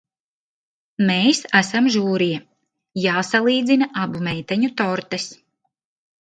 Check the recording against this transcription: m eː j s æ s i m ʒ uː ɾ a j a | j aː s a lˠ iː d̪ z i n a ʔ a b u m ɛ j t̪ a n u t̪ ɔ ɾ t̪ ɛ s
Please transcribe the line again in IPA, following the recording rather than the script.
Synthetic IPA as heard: m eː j s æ s a m ʒ uː ɾ i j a | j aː s a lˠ iː d̪ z i n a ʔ a b u m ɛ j t̪ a ɲ u t̪ ɔ ɾ t̪ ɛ s

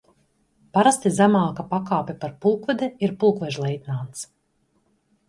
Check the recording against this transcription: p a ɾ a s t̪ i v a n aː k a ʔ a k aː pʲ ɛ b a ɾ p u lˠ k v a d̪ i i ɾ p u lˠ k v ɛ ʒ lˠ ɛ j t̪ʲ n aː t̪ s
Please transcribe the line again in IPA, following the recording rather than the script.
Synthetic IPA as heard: p a ɾ a s t̪ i z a m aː k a p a k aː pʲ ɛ p a ɾ p u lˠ k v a d̪ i i ɾ p u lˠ k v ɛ ʒ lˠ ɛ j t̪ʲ n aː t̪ s

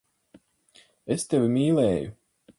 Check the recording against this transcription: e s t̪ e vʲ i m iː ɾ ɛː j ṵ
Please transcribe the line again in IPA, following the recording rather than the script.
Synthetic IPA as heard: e s t̪ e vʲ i m iː l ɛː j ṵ

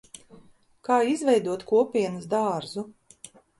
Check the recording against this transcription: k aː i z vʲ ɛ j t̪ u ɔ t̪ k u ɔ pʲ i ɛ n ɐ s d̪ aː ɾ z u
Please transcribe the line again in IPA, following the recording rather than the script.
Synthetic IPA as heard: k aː i z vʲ ɛ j d̪ u ɔ t̪ k u ɔ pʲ i ɛ n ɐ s d̪ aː ɾ z u

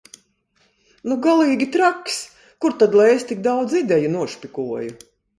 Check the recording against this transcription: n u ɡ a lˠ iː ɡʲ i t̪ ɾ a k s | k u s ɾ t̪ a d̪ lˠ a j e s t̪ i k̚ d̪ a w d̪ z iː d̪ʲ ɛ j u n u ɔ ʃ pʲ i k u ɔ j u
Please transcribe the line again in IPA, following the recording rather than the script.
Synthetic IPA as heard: n u ɡ a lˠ iː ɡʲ i t̪ ɾ a k s | k u ɾ t̪ a d̪ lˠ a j e s t̪ i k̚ d̪ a w d̪ z i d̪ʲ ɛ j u n u ɔ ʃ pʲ i k u ɔ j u

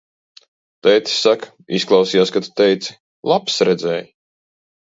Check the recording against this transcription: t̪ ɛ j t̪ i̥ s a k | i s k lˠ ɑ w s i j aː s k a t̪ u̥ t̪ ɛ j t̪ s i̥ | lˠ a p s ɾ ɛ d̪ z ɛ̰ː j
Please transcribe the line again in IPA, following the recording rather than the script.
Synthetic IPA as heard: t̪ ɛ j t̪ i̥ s a k | i s k lˠ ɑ w s i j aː s k a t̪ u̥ t̪ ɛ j t̪ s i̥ | lˠ a p s ɾ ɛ d̪ z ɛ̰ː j

